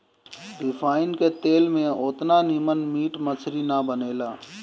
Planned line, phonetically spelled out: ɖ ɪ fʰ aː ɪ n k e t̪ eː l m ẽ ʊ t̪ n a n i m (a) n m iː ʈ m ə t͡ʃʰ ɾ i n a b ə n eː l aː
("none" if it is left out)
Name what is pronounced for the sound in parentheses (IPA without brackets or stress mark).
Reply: ə